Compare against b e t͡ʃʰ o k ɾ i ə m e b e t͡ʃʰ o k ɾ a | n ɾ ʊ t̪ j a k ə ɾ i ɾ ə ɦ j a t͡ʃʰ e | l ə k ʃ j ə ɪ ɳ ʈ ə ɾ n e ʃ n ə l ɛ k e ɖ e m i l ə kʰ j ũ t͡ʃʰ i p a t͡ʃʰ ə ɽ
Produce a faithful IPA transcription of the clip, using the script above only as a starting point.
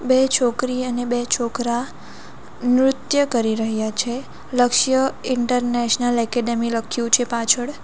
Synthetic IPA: b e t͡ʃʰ o k ɾ i ə n e b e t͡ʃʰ o k ɾ a | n ɾ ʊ t̪ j ə k ə ɾ i ɾ ə ɦ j a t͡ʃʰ e | l ə k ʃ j ə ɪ ɳ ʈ ə ɾ n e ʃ n ə l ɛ k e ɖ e m i l ə kʰ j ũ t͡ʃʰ e p a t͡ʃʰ ə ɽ